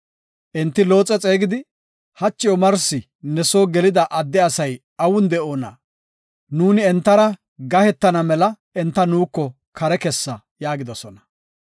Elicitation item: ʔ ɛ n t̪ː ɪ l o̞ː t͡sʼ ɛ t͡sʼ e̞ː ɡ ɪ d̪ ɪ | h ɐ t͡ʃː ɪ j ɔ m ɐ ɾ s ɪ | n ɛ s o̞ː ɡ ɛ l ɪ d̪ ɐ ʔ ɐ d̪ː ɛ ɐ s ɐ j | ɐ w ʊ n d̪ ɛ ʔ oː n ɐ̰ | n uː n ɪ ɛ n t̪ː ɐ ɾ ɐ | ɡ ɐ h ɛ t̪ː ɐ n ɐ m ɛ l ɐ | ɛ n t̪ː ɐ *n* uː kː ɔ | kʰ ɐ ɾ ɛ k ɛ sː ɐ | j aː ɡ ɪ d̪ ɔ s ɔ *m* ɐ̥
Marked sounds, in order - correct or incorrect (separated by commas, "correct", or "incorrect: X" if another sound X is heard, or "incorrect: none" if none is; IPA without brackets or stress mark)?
correct, incorrect: n